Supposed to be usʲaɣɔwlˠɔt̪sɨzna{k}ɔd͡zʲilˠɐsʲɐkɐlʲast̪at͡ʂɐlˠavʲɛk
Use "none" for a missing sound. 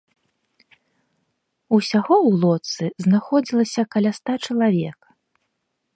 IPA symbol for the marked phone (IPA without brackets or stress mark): x